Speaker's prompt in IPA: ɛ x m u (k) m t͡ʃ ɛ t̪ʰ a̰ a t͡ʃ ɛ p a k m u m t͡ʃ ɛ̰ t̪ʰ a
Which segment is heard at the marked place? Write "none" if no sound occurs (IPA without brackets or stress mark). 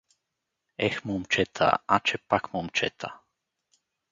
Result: none